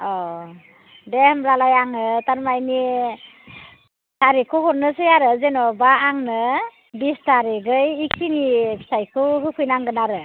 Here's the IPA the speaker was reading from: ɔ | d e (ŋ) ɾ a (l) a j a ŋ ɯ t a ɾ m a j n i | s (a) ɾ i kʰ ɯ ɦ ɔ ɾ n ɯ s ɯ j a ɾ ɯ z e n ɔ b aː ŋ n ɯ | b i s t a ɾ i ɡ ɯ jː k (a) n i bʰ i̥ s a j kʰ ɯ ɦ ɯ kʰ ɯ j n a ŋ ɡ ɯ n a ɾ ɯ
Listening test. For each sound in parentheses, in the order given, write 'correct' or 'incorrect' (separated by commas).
incorrect, correct, correct, incorrect